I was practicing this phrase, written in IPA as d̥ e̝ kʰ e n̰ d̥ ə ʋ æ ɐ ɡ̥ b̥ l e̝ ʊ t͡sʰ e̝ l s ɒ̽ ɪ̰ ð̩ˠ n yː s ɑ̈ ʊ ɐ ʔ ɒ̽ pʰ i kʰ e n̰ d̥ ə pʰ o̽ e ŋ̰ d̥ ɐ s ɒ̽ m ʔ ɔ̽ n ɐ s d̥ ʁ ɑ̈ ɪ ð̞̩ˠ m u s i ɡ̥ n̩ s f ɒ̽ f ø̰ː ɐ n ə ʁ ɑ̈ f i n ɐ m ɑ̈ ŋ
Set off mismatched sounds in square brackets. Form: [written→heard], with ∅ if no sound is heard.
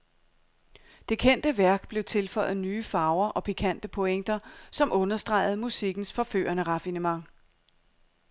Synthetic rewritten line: d̥ e̝ kʰ e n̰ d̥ ə ʋ æ ɐ ɡ̥ b̥ l e̝ ʊ t͡sʰ e̝ l [s→f] ɒ̽ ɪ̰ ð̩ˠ n yː [s→f] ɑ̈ ʊ ɐ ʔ ɒ̽ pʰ i kʰ [e→æ] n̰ d̥ ə pʰ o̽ e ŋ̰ d̥ ɐ s ɒ̽ m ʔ ɔ̽ n ɐ s d̥ ʁ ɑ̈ ɪ ð̞̩ˠ m u s i ɡ̥ n̩ s f ɒ̽ f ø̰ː ɐ n ə ʁ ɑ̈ f i n [ɐ→ə] m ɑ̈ ŋ